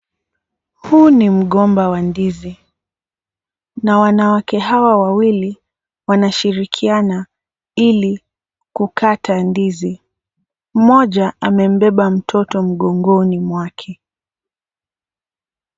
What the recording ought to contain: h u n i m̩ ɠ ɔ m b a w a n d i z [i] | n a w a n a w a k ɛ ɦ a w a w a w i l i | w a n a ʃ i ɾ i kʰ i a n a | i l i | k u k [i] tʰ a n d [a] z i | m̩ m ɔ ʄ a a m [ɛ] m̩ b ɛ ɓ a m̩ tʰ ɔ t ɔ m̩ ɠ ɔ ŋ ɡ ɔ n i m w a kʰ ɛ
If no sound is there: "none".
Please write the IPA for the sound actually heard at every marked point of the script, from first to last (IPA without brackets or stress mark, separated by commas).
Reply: i, a, i, ɛ